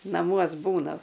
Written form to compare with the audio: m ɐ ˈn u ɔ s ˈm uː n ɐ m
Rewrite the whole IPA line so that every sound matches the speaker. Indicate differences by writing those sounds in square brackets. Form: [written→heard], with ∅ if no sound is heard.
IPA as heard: [m→n] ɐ [ˈn→ˈm] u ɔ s [ˈm→ˈb] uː n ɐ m